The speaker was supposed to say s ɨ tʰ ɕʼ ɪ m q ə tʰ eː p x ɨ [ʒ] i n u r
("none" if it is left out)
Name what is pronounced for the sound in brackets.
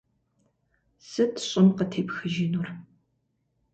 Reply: ʒ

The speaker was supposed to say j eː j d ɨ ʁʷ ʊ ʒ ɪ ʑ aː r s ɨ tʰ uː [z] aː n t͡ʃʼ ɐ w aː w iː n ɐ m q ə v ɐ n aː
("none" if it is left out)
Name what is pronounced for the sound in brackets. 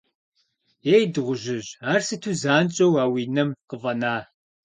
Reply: z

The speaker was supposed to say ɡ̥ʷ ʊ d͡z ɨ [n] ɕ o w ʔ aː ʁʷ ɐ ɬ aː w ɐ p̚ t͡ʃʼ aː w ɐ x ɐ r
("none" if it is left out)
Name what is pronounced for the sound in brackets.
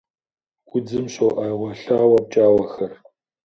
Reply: m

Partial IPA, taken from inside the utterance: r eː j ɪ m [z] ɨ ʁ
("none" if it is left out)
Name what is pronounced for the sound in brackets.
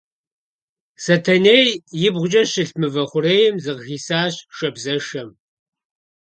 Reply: z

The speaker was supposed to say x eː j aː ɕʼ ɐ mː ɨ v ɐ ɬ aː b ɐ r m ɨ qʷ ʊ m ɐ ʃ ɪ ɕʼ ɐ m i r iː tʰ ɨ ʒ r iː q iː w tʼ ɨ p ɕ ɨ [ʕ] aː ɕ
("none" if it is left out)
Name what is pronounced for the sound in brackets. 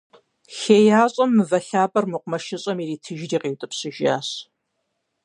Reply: ʒ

